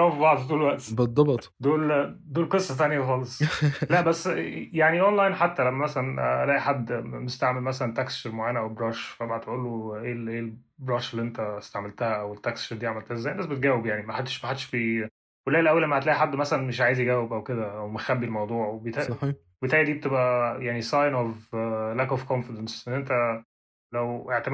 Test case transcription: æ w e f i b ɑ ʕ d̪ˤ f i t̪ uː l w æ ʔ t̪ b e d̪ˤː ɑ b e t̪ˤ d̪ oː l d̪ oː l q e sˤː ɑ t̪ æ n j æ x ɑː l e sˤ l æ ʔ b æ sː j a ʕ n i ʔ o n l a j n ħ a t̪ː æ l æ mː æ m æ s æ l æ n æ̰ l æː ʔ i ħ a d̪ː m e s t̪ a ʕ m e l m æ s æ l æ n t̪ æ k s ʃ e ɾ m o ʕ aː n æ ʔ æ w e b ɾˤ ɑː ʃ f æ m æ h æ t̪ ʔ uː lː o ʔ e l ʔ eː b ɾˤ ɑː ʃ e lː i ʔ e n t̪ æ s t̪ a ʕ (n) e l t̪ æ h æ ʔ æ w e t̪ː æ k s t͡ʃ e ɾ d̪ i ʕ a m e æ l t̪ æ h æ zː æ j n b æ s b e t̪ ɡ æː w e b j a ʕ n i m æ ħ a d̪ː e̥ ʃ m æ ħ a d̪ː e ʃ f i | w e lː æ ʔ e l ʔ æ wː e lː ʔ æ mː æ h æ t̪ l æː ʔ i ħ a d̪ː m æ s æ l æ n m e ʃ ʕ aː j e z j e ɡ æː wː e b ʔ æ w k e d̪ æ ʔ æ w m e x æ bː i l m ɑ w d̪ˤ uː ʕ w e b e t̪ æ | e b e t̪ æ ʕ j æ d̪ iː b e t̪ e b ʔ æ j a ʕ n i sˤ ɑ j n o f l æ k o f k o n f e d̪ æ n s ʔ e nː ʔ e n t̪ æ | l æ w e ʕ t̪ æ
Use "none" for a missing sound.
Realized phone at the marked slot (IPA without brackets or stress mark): m